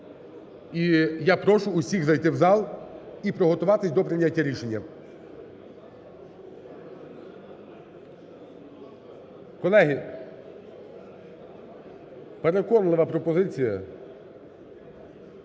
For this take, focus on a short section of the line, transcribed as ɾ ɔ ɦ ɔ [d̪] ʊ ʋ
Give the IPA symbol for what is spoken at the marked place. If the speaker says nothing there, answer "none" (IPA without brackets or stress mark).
t̪